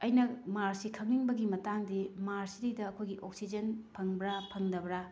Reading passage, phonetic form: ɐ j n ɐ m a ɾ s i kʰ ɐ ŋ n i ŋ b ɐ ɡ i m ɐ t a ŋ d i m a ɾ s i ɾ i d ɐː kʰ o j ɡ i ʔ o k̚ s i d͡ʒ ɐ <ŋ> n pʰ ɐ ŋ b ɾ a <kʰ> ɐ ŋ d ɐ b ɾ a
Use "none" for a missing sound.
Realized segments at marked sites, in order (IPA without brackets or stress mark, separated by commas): none, pʰ